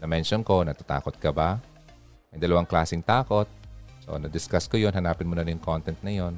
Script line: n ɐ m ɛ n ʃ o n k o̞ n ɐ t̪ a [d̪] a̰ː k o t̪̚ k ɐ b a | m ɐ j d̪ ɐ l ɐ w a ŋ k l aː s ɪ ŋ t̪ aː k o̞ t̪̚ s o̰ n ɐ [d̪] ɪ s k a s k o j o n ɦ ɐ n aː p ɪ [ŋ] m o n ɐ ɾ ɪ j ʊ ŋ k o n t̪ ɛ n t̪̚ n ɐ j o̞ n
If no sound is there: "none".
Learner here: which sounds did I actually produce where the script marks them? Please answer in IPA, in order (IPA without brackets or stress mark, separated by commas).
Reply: t̪, d̪, n